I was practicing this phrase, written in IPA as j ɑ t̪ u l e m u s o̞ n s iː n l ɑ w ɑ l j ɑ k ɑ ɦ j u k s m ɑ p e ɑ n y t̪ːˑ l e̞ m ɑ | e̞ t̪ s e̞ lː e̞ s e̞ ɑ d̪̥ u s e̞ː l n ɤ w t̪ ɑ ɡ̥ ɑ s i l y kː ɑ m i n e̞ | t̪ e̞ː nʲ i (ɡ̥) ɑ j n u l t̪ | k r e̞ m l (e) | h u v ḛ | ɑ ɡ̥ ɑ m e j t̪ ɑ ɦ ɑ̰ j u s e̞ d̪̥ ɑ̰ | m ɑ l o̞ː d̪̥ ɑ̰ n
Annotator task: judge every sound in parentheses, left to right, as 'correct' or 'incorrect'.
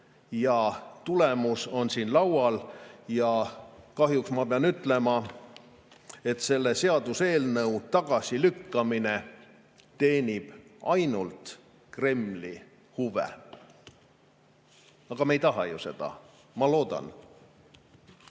incorrect: b̥, incorrect: i

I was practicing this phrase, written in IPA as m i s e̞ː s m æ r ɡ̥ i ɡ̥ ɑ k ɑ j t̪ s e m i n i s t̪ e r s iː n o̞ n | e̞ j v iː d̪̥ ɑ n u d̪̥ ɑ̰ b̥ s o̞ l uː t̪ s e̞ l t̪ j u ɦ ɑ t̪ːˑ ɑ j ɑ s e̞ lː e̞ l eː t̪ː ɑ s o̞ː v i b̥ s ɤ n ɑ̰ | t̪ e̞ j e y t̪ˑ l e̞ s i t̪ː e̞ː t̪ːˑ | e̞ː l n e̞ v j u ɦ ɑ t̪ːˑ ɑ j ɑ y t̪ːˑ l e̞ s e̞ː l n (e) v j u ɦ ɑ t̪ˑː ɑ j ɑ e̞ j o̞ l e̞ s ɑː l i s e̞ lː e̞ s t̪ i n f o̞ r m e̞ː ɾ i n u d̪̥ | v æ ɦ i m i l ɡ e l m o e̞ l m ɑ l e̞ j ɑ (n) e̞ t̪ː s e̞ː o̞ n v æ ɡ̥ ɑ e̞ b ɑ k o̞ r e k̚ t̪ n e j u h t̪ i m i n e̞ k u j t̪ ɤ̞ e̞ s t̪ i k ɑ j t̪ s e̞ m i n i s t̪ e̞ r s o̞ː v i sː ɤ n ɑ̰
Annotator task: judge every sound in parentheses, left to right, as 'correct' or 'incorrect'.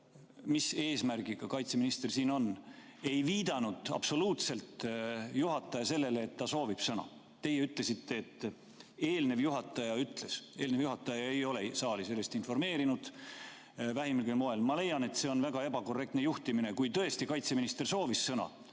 correct, correct

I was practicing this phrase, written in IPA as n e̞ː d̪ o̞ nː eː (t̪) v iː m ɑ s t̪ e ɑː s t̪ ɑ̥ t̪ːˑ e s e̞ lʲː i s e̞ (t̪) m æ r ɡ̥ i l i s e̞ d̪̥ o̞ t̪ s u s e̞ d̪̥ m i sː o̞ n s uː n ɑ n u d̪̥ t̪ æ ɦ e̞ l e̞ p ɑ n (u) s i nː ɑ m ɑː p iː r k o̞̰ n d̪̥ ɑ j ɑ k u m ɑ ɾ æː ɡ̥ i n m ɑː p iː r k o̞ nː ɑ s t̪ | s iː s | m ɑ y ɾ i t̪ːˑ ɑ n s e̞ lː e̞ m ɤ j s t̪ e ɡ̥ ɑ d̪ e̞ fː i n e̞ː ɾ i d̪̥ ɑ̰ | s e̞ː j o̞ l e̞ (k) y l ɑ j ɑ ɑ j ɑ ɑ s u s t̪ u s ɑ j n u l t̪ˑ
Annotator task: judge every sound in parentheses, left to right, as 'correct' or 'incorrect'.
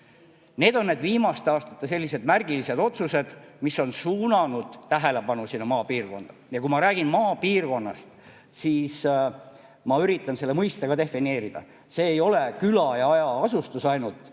incorrect: d̪, incorrect: d̪, correct, correct

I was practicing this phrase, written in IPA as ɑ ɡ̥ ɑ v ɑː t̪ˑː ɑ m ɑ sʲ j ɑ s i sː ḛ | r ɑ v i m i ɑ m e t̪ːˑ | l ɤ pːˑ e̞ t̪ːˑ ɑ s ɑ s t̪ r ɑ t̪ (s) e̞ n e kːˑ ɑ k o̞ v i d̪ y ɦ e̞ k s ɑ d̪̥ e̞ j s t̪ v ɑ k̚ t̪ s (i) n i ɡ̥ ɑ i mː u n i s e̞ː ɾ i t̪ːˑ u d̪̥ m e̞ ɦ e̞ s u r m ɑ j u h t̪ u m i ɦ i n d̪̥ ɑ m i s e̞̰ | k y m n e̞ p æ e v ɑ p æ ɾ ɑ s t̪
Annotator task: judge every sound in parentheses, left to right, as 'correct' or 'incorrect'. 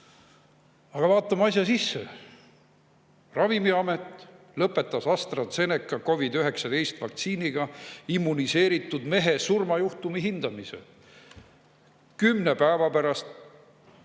correct, incorrect: iː

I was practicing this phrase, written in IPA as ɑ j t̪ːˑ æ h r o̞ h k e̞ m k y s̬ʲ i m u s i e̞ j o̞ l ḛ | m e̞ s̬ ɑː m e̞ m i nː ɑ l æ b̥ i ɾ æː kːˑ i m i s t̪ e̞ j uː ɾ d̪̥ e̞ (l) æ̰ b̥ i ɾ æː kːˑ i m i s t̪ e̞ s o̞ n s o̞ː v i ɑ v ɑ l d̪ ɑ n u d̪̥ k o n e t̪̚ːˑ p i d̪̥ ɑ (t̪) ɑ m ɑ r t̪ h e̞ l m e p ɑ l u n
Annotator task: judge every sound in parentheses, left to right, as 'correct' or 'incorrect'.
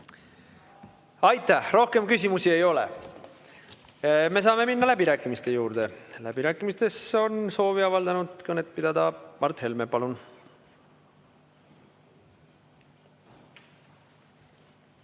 correct, incorrect: d̪

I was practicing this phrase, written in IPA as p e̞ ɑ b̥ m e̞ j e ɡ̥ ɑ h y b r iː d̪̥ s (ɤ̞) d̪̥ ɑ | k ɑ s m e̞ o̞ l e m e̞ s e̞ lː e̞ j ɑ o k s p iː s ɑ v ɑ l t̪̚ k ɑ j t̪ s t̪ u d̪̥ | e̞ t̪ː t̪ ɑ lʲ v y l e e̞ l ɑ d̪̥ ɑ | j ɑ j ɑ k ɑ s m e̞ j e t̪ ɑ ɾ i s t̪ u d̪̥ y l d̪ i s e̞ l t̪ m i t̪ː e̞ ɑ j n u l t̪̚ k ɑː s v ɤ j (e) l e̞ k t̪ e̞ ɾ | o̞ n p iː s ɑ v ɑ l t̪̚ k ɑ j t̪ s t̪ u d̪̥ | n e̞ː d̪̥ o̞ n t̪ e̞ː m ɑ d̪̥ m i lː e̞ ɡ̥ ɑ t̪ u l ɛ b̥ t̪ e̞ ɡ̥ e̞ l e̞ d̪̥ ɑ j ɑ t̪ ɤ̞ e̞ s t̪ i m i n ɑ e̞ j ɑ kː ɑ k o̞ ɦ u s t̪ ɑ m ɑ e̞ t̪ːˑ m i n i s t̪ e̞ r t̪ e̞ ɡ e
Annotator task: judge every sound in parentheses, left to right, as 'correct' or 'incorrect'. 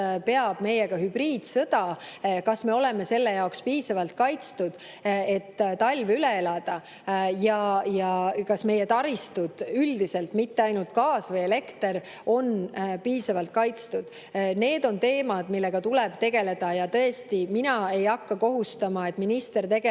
correct, correct

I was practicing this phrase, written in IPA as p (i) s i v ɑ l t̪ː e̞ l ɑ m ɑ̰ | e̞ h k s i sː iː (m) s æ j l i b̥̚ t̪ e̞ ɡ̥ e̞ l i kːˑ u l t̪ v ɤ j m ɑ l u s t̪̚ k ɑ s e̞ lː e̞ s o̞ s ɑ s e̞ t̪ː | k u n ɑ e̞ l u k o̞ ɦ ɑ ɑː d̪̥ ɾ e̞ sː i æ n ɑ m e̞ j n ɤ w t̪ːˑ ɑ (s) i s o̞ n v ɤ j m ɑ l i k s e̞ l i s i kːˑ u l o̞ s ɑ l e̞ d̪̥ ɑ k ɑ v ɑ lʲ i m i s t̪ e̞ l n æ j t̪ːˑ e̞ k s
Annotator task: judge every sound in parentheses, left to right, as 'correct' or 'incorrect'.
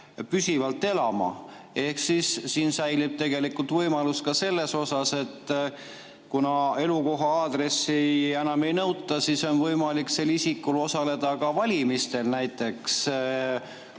incorrect: y, incorrect: n, correct

